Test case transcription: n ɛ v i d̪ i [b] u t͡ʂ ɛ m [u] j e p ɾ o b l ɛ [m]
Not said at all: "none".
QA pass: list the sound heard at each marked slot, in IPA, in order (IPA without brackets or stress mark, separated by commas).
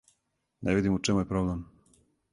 m, u, m